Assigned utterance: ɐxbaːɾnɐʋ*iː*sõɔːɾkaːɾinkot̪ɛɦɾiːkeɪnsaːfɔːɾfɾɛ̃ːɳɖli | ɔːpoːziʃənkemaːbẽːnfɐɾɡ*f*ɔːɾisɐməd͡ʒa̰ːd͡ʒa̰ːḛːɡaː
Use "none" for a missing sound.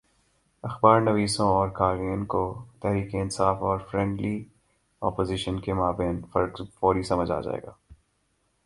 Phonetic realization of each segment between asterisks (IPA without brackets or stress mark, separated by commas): iː, f